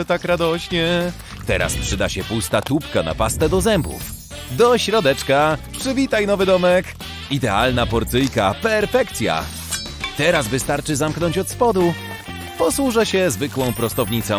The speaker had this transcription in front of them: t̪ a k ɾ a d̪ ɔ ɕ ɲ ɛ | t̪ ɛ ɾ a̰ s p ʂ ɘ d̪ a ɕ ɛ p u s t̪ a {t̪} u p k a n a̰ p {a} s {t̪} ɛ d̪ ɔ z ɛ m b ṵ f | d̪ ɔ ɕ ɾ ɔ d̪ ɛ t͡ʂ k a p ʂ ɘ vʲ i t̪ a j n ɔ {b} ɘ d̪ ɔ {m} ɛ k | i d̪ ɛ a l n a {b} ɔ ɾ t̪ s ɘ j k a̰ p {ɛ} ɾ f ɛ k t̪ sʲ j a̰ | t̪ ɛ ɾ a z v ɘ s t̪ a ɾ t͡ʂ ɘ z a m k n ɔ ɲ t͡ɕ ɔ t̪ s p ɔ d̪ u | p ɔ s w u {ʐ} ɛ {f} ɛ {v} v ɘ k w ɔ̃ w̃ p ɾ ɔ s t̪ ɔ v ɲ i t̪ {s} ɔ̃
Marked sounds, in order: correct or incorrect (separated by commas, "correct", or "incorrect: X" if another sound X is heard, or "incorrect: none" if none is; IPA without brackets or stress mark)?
correct, correct, correct, incorrect: v, correct, incorrect: p, correct, correct, incorrect: ɕ, incorrect: z, correct